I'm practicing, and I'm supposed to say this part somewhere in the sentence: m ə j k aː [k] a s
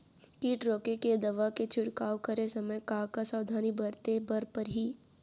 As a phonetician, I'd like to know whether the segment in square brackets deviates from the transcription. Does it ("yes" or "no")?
no